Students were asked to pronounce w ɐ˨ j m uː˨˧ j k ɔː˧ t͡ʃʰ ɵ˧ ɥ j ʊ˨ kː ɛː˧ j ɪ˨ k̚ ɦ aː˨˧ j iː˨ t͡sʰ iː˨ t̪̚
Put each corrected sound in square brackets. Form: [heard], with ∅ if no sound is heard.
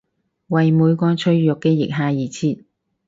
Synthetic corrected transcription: w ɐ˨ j m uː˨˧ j k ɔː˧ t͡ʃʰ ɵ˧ ɥ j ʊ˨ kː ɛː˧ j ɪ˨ k̚ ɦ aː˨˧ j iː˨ t͡sʰ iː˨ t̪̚